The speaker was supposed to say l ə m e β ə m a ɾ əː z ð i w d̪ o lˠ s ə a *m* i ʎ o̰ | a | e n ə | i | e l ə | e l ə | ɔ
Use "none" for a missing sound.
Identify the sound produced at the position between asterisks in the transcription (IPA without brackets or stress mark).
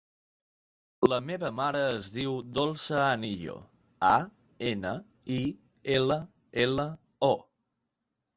n